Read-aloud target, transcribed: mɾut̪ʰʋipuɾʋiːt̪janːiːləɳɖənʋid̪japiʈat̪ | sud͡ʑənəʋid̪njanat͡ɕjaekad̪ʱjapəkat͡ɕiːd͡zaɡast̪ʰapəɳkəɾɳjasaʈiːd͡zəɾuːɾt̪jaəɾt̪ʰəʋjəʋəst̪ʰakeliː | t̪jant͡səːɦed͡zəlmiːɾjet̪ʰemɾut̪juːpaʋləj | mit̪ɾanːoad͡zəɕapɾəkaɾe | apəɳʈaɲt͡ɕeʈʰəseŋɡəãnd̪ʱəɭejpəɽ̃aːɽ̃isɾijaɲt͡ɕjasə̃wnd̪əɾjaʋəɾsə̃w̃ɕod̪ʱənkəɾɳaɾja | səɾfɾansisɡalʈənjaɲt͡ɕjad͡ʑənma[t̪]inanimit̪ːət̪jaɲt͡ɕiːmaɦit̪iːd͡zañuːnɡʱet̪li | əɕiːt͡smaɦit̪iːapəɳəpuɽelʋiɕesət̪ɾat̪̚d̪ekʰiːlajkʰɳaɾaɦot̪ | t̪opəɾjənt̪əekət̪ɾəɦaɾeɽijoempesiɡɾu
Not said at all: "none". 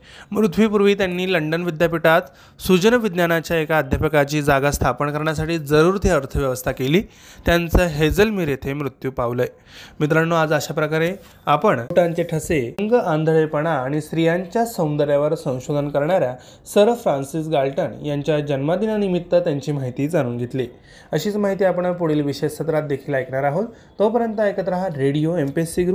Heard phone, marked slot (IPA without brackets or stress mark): d̪